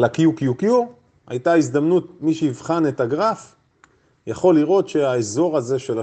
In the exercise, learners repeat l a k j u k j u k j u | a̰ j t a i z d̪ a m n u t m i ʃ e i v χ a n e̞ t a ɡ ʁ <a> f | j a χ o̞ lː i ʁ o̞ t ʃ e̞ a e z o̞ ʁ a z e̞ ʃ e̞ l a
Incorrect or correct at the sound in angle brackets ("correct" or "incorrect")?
correct